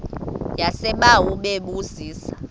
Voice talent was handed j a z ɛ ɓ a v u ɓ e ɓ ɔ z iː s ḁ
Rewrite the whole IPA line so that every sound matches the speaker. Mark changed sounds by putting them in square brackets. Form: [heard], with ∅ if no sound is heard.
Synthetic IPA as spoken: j a [s] ɛ ɓ a [w] u ɓ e ɓ [u] z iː s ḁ